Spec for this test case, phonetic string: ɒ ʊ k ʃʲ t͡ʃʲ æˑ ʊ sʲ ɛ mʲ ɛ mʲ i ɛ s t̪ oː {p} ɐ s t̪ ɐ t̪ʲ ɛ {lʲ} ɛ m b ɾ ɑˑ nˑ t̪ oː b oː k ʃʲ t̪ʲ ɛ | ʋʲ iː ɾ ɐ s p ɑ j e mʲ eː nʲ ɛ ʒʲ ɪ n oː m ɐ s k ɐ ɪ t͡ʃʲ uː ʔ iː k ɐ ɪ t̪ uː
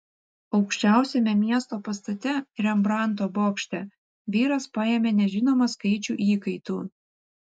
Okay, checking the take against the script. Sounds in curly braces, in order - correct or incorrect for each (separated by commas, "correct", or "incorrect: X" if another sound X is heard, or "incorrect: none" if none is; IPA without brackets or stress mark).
correct, incorrect: ɾʲ